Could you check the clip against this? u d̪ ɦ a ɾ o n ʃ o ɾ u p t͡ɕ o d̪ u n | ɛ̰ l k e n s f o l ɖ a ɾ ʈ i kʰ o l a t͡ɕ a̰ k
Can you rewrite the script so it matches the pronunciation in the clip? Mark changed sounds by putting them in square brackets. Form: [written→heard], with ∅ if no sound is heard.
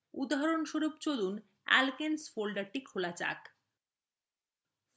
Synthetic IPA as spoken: u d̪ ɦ a ɾ o n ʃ o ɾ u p t͡ɕ o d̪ u n | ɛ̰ l k e n s f o l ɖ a ɾ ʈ i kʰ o l a t͡ɕ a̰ k